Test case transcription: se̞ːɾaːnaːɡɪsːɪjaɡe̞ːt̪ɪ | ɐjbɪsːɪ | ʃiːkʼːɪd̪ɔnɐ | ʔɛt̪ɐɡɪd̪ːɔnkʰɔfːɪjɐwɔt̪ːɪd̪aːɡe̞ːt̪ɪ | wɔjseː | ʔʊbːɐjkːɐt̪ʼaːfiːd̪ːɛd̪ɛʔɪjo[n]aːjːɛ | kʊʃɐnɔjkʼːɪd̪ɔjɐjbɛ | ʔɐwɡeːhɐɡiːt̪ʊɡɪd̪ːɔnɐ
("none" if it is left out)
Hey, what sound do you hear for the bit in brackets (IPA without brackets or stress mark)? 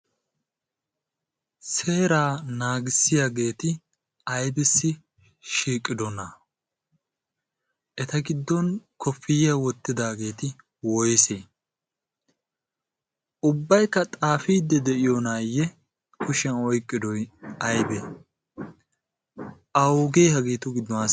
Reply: n